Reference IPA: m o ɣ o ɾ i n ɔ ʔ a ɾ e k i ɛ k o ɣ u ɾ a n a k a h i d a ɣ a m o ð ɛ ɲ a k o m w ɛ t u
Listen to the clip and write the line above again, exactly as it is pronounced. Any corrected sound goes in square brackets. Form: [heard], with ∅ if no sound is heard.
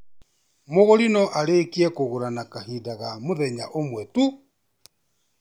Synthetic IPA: m o ɣ o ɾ i n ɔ ʔ a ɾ e k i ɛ k o ɣ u ɾ a n a k a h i d a ɣ a m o ð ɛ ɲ a [ʔ] o m w ɛ t u